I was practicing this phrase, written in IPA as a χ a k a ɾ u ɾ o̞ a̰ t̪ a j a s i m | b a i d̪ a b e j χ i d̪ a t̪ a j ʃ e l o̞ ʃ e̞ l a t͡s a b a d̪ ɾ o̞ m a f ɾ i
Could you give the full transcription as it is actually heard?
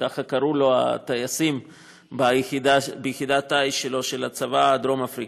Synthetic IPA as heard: a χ a k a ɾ u l o̞ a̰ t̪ a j a s i m | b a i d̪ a b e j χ i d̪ a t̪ a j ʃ e l o̞ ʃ e̞ l a t͡s a v a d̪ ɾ o̞ m a f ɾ i